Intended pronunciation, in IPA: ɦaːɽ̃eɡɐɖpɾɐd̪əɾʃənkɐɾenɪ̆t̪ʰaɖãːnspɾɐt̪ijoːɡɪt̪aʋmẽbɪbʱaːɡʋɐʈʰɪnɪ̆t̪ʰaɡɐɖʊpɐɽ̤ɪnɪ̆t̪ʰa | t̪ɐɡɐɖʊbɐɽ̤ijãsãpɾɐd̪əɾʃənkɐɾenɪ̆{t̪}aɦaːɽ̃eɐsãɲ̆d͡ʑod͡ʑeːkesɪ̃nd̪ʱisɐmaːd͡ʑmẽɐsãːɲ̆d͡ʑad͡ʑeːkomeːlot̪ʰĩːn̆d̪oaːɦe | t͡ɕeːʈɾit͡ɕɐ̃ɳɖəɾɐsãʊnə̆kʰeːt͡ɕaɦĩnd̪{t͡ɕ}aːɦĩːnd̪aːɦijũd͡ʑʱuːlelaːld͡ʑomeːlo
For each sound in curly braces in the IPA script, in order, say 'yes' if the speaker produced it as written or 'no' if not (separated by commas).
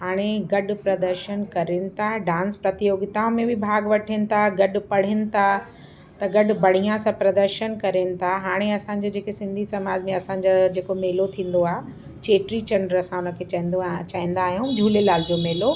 no, yes